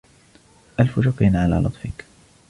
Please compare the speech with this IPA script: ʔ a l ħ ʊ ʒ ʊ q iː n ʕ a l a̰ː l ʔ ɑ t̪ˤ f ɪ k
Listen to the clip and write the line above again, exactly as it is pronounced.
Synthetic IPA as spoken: ʔ a l f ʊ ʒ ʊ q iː n ʕ a l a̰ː l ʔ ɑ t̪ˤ f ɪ k